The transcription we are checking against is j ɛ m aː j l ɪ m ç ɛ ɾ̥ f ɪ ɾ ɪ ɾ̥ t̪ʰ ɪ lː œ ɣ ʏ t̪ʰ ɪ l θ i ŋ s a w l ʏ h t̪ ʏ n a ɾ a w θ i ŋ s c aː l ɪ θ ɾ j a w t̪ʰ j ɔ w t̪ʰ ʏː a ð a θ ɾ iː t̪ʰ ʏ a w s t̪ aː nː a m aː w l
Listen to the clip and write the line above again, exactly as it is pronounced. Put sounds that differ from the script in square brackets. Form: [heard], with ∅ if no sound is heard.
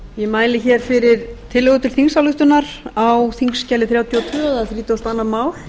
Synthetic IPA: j ɛ m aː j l ɪ [∅] ç ɛ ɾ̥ f ɪ ɾ ɪ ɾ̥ t̪ʰ ɪ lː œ ɣ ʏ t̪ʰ ɪ l θ i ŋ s a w l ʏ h t̪ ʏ n a ɾ a w θ i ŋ s c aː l ɪ θ ɾ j a w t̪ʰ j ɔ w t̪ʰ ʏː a ð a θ ɾ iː [t̪] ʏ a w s t̪ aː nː a m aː w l

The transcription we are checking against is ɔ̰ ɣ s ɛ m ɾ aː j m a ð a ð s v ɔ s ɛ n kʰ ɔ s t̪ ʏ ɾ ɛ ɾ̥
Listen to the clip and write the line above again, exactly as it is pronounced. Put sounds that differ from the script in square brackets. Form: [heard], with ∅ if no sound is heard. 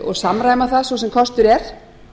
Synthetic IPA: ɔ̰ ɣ s [a] m ɾ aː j m a [θ] a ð s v ɔ s ɛ [m] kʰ ɔ s t̪ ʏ ɾ ɛ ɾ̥

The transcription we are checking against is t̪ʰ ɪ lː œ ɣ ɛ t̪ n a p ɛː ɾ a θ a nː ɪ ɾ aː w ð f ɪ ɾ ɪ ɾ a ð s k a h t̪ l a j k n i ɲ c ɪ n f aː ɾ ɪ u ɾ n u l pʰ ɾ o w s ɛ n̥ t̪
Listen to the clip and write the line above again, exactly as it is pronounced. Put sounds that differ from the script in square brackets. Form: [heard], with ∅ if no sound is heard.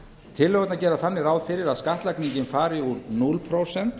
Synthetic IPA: t̪ʰ ɪ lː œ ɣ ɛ t̪ n a [c] ɛː ɾ a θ a nː ɪ ɾ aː w ð f ɪ ɾ ɪ ɾ a ð s k a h t̪ l a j k n i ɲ c ɪ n f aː ɾ ɪ u ɾ n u l pʰ ɾ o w s ɛ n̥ t̪

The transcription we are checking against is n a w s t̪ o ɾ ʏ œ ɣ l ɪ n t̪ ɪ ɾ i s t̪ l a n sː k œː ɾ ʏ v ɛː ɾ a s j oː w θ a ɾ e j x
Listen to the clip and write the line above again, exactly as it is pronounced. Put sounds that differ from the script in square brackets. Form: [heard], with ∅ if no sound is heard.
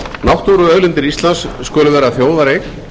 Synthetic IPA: n a w [h] t̪ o ɾ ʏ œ ɣ l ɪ n t̪ ɪ ɾ i s t̪ l a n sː k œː [l] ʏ v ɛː ɾ a [θ] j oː w [ð] a ɾ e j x

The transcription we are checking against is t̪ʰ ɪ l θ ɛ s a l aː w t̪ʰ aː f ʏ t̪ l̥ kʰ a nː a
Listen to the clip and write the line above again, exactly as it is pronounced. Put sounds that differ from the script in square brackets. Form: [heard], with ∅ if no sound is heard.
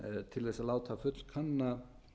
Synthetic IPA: t̪ʰ ɪ l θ ɛ s a l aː w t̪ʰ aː f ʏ t̪ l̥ kʰ a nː a

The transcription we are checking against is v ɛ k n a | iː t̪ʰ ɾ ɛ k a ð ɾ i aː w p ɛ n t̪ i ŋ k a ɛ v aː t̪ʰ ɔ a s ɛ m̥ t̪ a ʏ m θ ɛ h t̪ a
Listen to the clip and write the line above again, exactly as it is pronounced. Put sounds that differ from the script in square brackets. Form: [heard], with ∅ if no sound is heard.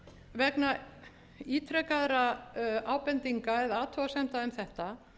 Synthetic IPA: v ɛ k n a | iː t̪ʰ ɾ ɛ k a ð ɾ [a] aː w p ɛ n t̪ i ŋ k a ɛ [ð] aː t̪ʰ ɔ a s ɛ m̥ t̪ a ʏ m θ ɛ h t̪ a

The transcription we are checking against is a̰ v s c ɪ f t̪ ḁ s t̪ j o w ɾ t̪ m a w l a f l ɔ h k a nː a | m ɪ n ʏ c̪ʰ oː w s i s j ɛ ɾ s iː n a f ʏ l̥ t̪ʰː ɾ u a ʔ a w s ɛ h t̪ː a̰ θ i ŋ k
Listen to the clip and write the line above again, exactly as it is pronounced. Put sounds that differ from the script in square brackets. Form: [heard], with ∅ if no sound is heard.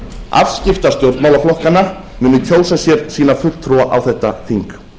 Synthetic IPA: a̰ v s c ɪ f t̪ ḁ s t̪ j o w ɾ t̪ m a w l a f l ɔ h k a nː a | m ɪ n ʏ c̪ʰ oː w s [a] s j ɛ ɾ s iː n a f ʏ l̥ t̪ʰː ɾ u a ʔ a w [θ] ɛ h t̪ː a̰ θ i ŋ k

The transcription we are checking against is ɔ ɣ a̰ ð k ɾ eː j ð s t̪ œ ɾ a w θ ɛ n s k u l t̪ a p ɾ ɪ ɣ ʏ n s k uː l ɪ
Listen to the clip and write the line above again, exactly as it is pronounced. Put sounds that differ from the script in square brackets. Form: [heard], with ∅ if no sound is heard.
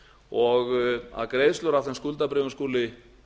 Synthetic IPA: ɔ ɣ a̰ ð k ɾ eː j ð s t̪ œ ɾ a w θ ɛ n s k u l t̪ a p ɾ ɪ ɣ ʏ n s k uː l ɪ

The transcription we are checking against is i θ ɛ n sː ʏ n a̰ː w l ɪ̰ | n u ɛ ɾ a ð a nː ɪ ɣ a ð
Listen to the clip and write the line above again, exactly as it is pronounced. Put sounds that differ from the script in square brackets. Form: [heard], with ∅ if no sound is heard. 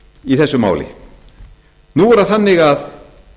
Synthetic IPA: i θ ɛ [∅] sː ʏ [m] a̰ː w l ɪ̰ | n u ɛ ɾ a [θ] a nː ɪ ɣ a ð

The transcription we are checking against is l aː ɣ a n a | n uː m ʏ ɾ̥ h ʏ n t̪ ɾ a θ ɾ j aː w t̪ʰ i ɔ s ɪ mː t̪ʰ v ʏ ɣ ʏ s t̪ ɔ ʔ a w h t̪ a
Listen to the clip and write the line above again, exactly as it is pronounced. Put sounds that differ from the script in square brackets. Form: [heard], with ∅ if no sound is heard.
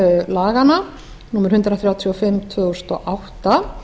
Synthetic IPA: l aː ɣ a n a | n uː m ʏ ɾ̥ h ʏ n t̪ ɾ a θ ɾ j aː w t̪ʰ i ɔ [f] ɪ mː t̪ʰ v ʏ ɣ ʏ s t̪ ɔ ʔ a w h t̪ a

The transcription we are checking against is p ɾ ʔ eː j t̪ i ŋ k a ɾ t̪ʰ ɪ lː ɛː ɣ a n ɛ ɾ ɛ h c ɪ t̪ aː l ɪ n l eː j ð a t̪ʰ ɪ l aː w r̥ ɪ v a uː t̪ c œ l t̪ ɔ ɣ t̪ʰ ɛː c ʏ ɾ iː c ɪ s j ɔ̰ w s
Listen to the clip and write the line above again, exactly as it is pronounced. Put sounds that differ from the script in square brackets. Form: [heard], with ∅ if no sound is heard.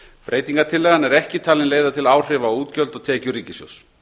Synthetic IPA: p ɾ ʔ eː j t̪ i ŋ k a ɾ t̪ʰ ɪ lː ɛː ɣ a n ɛ ɾ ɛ h c ɪ [t̪ʰ] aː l ɪ n l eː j ð a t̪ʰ ɪ l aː w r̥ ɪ v a uː t̪ c œ l t̪ ɔ ɣ t̪ʰ ɛː c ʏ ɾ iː c ɪ s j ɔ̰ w s

